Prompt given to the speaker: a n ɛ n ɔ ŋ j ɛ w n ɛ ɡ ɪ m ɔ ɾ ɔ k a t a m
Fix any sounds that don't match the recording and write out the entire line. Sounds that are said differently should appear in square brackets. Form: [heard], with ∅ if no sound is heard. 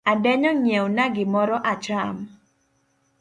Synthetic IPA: a [d] ɛ [ɲ] ɔ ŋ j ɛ w n [a] ɡ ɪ m ɔ ɾ ɔ [ʔ] a [t͡ʃ] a m